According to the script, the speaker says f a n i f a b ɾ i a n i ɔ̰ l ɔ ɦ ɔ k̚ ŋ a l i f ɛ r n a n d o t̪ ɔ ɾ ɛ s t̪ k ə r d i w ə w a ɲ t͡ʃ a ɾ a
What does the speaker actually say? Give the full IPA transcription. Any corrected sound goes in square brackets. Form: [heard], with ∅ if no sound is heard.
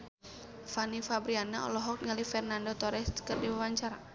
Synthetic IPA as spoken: f a n i f a b ɾ i a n [a] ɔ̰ l ɔ ɦ ɔ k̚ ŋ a l i f ɛ r n a n d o t̪ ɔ ɾ ɛ s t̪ k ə r d i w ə w a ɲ t͡ʃ a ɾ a